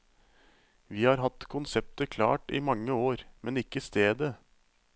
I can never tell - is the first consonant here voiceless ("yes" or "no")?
no